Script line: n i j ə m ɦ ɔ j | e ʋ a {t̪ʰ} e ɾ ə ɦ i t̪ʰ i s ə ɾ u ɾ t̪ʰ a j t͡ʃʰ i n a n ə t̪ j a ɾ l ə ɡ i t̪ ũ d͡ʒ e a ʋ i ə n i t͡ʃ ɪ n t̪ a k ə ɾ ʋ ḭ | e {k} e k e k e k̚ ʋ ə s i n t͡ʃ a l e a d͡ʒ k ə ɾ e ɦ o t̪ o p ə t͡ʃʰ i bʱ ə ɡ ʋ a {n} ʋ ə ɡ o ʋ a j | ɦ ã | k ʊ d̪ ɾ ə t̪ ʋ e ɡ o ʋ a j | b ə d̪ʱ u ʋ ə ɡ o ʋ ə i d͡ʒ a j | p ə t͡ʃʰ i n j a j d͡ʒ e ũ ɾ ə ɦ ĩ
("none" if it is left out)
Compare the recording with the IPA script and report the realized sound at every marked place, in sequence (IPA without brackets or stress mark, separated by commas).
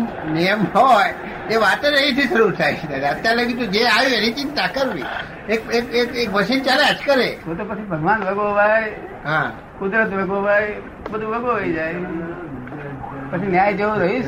t̪, k, n